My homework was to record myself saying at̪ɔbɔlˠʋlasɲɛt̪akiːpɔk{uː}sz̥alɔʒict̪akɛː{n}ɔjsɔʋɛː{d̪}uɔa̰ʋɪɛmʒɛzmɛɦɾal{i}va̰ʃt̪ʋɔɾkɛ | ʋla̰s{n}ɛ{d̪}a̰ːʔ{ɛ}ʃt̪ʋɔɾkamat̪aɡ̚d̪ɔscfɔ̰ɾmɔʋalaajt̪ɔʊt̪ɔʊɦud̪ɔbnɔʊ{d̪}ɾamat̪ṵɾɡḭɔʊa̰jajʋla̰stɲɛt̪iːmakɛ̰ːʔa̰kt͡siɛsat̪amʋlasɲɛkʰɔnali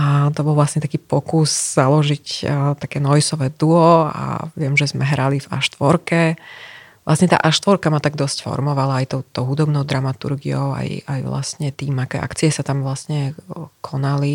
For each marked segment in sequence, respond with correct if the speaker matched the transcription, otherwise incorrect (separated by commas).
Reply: incorrect, correct, correct, correct, incorrect, incorrect, incorrect, correct